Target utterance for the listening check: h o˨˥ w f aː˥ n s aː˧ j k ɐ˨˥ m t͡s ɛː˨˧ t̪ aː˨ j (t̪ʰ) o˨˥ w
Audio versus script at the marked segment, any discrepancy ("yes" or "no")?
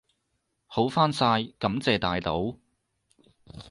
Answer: yes